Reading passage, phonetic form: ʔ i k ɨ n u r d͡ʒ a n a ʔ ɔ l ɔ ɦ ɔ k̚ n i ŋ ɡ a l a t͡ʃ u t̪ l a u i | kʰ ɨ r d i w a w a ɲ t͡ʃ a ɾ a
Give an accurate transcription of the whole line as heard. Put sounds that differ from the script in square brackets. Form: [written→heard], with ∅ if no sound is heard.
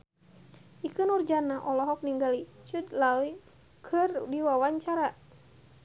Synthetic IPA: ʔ i k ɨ n u r d͡ʒ a n a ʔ ɔ l ɔ ɦ ɔ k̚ n i ŋ ɡ a l [a→i] t͡ʃ u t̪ l a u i | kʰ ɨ r d i w a w a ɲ t͡ʃ a ɾ a